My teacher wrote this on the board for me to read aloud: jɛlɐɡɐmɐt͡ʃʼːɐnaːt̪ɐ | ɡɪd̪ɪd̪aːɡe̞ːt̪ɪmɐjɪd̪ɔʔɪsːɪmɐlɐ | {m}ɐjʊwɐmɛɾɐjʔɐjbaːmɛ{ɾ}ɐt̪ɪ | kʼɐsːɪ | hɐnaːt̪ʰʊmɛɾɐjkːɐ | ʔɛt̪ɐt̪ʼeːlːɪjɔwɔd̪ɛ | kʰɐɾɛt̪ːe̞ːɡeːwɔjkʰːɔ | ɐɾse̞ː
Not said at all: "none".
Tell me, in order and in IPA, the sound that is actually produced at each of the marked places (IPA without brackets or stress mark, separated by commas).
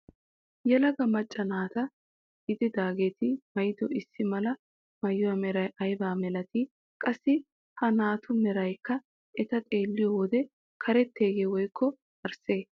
m, l